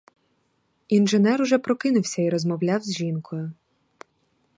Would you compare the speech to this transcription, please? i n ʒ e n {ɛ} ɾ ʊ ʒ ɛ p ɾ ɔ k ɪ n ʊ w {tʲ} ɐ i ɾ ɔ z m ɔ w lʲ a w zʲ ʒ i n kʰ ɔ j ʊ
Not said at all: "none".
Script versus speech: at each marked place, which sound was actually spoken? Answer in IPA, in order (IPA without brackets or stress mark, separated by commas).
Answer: ɛ, sʲ